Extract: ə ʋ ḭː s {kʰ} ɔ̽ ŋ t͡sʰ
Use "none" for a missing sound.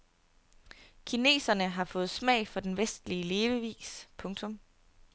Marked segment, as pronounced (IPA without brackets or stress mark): pʰ